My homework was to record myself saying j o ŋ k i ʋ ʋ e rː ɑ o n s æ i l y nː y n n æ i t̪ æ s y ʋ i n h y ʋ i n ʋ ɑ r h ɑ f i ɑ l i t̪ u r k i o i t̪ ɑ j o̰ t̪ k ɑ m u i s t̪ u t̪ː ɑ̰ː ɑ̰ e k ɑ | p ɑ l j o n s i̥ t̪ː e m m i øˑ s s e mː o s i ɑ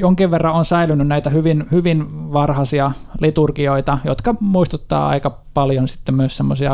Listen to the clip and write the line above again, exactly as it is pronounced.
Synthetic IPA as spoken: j o ŋ k i ʋ ʋ e rː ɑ o n s æ i l y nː y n n æ i t̪ æ h y ʋ i n h y ʋ i n ʋ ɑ r h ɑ s i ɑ l i t̪ u r k i o i t̪ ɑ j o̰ t̪ k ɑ m u i s t̪ u t̪ː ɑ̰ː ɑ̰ i k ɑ | p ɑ l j o n s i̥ t̪ː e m m y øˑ s s e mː o s i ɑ